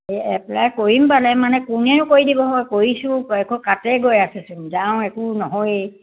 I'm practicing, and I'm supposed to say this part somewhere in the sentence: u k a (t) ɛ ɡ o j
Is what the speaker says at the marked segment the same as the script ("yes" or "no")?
yes